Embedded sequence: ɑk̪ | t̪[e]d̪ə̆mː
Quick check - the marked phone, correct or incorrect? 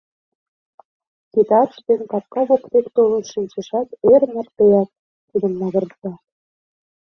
incorrect